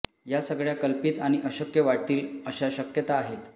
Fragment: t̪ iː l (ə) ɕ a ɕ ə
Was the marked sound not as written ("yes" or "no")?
no